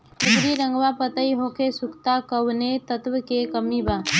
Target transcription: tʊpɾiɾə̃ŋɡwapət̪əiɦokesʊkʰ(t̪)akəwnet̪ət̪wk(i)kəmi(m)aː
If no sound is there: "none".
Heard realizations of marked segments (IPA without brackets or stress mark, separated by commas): t̪, e, b